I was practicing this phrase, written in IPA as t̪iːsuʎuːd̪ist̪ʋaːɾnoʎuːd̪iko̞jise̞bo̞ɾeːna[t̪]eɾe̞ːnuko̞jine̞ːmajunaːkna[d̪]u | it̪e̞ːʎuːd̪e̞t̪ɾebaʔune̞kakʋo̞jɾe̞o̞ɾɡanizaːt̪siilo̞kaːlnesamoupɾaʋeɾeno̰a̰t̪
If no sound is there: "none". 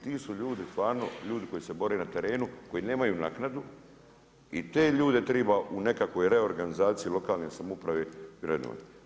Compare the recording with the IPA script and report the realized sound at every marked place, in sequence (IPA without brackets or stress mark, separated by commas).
t̪, d̪